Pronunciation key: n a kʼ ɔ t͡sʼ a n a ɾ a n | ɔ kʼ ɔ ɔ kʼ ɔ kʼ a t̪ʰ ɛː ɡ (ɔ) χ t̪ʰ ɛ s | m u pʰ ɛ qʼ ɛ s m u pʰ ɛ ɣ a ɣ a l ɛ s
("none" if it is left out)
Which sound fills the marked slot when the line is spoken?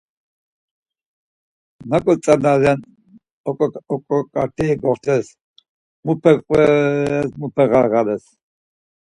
ɔ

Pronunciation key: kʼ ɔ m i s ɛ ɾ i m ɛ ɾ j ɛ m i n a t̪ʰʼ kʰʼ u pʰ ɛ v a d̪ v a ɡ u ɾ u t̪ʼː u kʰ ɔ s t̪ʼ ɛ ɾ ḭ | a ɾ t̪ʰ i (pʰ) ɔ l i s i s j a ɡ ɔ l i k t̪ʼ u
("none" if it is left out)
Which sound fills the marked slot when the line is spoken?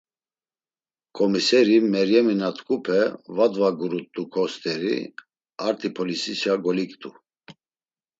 pʰ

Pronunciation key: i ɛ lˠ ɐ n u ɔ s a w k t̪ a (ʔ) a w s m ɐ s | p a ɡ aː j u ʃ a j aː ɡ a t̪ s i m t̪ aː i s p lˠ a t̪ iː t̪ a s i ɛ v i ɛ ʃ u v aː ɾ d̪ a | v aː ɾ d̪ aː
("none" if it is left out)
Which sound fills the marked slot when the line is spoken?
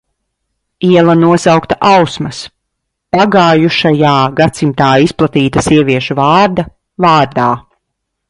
ʔ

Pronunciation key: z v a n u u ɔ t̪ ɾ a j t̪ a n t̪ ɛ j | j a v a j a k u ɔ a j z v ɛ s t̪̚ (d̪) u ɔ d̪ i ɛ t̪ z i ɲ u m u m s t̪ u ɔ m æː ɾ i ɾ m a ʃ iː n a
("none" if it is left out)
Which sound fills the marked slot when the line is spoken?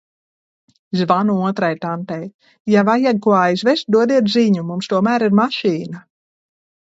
d̪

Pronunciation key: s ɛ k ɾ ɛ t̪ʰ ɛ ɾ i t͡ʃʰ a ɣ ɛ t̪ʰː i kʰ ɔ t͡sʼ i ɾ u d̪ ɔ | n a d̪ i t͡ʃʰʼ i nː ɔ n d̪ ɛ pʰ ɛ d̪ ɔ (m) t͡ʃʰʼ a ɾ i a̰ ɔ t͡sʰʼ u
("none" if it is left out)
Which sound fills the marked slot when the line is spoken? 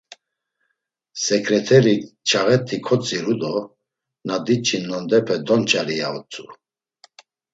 n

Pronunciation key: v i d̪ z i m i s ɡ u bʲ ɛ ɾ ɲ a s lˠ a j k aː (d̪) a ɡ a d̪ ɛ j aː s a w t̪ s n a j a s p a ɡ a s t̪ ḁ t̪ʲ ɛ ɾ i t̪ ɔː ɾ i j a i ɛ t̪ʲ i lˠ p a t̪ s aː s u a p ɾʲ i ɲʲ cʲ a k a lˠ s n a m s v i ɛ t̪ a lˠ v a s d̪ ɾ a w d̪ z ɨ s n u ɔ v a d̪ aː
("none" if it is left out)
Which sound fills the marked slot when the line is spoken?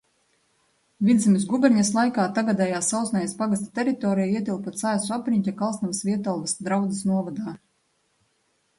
t̪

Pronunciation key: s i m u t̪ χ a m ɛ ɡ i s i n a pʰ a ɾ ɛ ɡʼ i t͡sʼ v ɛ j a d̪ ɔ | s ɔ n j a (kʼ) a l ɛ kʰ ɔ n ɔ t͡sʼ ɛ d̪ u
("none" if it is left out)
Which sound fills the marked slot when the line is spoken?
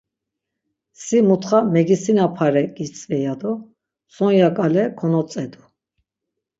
kʼ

